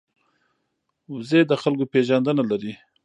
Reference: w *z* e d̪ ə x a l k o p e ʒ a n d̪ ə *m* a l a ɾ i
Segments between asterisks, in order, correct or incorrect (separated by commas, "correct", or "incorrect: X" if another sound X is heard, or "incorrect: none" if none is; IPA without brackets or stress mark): correct, incorrect: n